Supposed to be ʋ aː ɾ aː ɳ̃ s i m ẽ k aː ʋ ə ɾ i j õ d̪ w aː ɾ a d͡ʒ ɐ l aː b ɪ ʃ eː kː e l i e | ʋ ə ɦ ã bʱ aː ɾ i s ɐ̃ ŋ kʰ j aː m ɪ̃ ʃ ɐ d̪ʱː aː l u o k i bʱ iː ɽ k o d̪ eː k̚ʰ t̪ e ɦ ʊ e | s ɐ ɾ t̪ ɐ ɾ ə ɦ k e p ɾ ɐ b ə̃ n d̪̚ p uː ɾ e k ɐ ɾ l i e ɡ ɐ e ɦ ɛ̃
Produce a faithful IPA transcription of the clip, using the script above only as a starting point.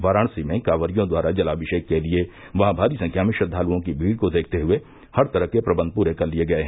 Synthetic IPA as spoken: ʋ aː ɾ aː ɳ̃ s i m ẽ k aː ʋ ə ɾ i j õ d̪ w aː ɾ a d͡ʒ ɐ l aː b ɪ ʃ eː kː e l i e | ʋ ɐ ɦ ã bʱ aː ɾ i s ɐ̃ ŋ kʰ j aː m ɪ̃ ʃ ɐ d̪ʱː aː l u õ k i bʱ iː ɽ k o d̪ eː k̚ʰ t̪ e ɦ ʊ e | h ɐ ɾ t̪ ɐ ɾ ə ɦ k e p ɾ ɐ b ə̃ n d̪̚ p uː ɾ e k ɐ ɾ l i e ɡ ɐ e ɦ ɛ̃

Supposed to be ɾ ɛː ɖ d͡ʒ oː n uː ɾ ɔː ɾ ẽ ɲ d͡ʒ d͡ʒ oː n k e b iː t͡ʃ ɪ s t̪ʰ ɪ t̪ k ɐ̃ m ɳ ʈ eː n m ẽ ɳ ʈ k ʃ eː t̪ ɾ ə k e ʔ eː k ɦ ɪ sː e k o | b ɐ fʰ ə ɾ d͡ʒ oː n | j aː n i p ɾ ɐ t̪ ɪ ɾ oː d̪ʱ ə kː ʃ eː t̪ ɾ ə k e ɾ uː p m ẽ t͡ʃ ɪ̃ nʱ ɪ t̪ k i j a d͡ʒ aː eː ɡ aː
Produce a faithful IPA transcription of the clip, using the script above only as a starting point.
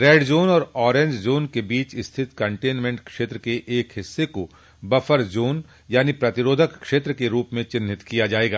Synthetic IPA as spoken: ɾ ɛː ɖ d͡ʒ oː n ɔː ɾ ɔː ɾ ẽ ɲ d͡ʒ d͡ʒ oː n k e b iː t͡ʃ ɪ s t̪ʰ ɪ t̪ k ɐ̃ ɳ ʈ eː n m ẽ ɳ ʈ k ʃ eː t̪ ɾ ə k e ʔ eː k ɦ ɪ sː e k o | b ɐ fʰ ə ɾ d͡ʒ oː n | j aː n i p ɾ ɐ t̪ ɪ ɾ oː d̪ʱ ə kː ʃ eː t̪ ɾ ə k e ɾ uː p m ẽ t͡ʃ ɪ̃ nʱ ɪ t̪ k i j a d͡ʒ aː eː ɡ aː

